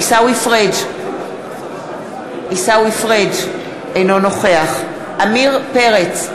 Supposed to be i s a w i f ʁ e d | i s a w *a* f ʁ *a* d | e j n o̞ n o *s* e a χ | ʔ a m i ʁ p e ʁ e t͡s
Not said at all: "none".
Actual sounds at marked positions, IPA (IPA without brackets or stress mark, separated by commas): i, e, χ